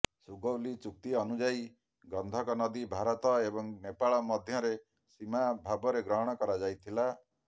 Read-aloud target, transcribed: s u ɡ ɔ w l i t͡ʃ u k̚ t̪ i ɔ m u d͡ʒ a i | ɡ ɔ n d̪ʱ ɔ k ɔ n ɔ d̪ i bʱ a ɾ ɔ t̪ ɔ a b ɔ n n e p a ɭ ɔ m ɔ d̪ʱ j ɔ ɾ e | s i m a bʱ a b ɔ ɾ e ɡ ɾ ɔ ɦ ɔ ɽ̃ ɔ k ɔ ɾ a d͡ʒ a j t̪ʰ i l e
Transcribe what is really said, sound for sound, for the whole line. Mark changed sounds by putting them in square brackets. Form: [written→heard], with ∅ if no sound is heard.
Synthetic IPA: s u ɡ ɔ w l i t͡ʃ u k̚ t̪ i ɔ [m→n] u d͡ʒ a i | ɡ ɔ n d̪ʱ ɔ k ɔ n ɔ d̪ i bʱ a ɾ ɔ t̪ ɔ [a→e] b ɔ [n→ŋ] n e p a ɭ ɔ m ɔ d̪ʱ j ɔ ɾ e | s i m a bʱ a b ɔ ɾ e ɡ ɾ ɔ ɦ ɔ ɽ̃ ɔ k ɔ ɾ a d͡ʒ a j t̪ʰ i l [e→a]